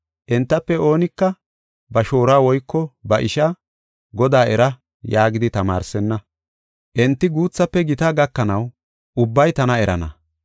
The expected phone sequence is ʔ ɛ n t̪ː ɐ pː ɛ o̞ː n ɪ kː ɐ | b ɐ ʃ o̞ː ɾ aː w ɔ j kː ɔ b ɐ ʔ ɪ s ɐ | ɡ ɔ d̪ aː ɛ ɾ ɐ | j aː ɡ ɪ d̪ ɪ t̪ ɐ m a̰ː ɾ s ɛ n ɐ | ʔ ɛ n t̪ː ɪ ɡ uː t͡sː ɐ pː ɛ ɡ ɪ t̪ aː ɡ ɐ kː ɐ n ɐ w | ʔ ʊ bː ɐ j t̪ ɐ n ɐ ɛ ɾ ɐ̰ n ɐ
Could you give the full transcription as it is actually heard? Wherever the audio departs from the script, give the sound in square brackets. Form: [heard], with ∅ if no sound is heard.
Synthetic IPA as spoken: ʔ ɛ n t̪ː ɐ pː ɛ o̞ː n ɪ kː ɐ | b ɐ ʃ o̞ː ɾ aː w ɔ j kː ɔ b ɐ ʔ ɪ [ʃ] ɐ | ɡ ɔ d̪ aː ɛ ɾ ɐ | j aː ɡ ɪ d̪ ɪ t̪ ɐ m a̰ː ɾ s ɛ [nː] ɐ | ʔ ɛ n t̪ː ɪ ɡ uː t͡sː ɐ pː ɛ ɡ ɪ t̪ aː ɡ ɐ kː ɐ n ɐ w | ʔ ʊ bː ɐ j t̪ ɐ n ɐ ɛ ɾ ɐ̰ n ɐ